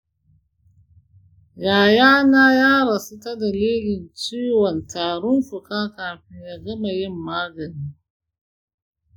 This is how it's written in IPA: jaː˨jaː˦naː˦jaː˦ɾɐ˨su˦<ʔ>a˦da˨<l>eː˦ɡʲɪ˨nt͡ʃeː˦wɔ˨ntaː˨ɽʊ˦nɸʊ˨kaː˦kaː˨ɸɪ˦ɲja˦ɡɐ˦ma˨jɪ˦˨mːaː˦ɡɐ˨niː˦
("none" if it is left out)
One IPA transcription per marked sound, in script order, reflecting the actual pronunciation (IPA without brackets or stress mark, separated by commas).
t, l